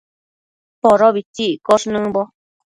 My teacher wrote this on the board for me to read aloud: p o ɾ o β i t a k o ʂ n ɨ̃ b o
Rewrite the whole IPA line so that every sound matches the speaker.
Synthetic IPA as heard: p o ɾ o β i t i k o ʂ n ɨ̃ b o

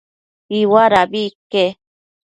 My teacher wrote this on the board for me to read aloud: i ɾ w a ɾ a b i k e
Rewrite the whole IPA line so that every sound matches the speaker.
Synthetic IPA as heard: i w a ɾ a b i k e

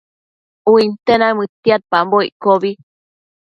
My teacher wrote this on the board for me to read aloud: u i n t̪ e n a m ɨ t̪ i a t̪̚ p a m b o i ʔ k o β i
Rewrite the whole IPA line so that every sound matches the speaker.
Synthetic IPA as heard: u i n t̪ e n a m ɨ t̪ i a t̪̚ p a m b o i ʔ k o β i

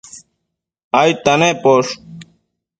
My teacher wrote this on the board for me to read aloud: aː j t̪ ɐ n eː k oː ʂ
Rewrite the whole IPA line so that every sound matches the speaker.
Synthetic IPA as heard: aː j t̪ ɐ n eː p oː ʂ

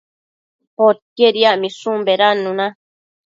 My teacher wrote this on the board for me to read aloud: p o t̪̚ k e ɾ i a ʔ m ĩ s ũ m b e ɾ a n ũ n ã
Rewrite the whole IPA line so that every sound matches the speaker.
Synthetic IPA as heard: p o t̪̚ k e ɾ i a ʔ m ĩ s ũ m b e ɾ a n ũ n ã

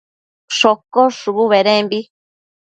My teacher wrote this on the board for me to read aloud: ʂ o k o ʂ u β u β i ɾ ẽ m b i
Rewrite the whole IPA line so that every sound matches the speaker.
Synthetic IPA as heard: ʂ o k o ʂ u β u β e ɾ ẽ m b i

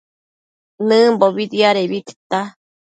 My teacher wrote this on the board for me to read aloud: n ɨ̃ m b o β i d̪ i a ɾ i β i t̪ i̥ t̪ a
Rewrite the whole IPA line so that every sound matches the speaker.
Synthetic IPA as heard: n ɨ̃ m b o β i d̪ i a ɾ e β i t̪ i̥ t̪ a

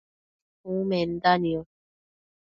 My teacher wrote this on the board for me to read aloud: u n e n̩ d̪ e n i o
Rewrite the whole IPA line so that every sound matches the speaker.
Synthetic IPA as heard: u m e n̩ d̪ a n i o

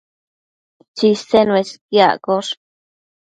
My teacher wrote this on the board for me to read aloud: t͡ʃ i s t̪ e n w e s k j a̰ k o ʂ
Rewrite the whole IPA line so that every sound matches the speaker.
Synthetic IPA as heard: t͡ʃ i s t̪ e n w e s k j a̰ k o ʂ

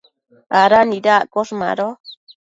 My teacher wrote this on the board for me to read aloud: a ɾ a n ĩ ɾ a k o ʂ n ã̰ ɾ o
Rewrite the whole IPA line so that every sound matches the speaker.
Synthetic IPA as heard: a ɾ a n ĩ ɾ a k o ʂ m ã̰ ɾ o

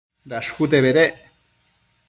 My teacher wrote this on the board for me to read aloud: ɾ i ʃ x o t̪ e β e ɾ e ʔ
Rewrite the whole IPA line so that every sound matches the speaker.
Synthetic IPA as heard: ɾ a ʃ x u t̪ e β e ɾ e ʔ

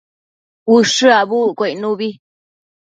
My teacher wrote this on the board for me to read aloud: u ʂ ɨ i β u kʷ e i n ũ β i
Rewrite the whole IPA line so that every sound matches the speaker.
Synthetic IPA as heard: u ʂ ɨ a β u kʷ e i n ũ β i

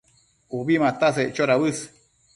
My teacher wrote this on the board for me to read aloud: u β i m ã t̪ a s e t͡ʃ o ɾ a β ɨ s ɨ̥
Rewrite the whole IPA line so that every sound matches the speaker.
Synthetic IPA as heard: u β i m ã t̪ a s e t͡ʃ o ɾ a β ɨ s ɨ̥

